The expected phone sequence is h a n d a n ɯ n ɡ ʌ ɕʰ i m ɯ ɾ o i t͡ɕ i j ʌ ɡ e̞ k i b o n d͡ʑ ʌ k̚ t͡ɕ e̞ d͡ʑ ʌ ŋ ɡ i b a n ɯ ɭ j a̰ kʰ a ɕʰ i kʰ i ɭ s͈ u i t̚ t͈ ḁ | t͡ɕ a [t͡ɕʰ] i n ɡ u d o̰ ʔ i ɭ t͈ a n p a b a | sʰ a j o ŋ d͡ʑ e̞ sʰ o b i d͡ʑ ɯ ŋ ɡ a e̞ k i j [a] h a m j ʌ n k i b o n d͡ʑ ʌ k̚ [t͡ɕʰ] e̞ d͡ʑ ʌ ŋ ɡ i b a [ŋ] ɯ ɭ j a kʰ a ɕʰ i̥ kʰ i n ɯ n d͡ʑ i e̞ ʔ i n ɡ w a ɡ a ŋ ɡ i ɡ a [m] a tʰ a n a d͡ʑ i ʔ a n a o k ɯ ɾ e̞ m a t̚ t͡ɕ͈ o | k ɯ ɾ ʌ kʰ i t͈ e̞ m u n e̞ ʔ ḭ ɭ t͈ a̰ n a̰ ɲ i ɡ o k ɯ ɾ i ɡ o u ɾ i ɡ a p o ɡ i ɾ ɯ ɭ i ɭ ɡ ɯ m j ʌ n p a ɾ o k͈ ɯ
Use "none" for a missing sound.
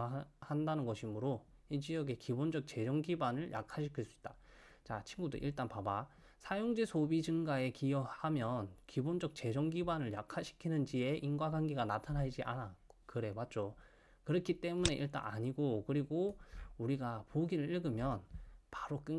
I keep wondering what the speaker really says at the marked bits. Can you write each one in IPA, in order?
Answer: t͡ɕʰ, ʌ, t͡ɕ, n, n

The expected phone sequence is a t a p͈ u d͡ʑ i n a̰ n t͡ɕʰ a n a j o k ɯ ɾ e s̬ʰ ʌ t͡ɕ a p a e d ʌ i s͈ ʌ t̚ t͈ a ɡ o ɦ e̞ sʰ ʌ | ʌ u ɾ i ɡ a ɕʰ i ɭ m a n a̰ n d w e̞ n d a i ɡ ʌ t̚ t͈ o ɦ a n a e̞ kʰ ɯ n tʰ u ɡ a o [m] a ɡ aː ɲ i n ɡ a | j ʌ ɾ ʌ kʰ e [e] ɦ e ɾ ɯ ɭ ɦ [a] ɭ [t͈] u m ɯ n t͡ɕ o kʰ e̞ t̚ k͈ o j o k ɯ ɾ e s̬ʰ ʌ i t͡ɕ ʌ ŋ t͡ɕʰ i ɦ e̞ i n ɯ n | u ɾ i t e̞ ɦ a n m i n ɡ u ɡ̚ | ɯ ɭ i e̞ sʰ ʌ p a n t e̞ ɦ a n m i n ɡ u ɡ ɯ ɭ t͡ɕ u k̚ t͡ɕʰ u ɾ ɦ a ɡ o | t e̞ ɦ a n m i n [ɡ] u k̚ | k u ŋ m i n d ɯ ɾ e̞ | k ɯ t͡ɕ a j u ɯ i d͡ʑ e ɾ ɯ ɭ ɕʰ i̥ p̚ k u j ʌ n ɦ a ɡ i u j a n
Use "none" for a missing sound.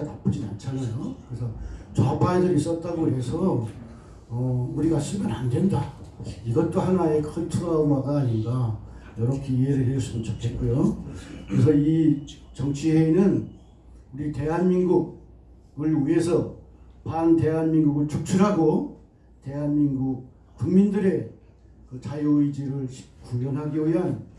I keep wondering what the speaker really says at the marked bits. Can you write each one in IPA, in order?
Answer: m, i, e, s͈, ɡ

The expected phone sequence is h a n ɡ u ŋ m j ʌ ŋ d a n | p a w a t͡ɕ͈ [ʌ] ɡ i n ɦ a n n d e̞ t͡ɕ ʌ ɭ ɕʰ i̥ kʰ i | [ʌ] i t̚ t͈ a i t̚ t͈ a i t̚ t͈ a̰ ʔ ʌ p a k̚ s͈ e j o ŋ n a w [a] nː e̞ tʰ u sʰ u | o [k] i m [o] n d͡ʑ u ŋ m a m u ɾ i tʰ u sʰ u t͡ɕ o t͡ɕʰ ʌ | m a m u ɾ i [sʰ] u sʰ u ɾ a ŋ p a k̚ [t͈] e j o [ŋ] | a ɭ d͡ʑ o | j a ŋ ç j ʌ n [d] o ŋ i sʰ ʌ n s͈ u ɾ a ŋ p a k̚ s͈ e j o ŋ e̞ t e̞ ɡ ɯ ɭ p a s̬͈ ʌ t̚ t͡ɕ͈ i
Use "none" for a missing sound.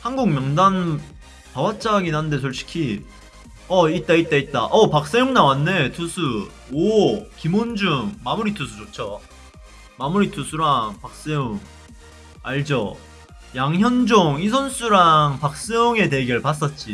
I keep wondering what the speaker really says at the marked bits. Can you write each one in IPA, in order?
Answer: a, ʌ, a, k, o, tʰ, s͈, ŋ, d͡ʑ

